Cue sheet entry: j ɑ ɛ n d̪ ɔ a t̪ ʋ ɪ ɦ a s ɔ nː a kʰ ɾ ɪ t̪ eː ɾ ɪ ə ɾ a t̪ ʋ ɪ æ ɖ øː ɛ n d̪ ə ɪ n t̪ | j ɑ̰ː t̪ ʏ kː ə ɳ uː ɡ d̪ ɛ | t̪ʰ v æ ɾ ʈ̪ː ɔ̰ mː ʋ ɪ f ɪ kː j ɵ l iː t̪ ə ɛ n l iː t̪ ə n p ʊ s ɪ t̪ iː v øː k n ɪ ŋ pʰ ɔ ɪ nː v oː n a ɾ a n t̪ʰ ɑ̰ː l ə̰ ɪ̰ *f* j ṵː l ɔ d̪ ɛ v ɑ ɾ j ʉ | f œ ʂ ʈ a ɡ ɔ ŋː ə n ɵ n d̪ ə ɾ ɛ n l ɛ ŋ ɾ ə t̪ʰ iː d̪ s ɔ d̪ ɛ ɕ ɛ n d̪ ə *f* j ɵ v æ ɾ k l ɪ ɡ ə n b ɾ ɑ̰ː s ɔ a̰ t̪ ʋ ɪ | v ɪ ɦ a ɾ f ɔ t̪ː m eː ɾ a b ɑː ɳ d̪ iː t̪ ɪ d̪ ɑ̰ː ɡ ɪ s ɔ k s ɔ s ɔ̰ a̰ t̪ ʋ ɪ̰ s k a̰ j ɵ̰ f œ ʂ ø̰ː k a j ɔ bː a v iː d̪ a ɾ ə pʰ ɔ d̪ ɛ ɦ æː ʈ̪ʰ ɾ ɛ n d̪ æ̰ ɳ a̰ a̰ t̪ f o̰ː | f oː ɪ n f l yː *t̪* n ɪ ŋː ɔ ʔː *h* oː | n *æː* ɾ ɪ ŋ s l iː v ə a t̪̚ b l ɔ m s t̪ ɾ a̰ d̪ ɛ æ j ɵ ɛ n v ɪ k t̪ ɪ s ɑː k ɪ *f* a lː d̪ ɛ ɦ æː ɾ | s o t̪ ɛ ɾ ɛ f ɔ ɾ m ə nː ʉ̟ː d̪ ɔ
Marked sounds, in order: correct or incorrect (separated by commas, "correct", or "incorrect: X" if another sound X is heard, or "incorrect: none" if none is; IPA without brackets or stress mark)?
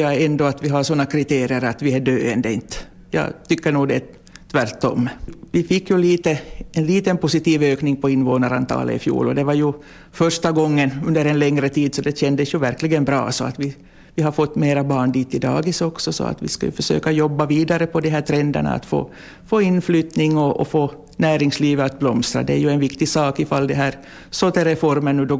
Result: correct, incorrect: s, correct, incorrect: f, correct, correct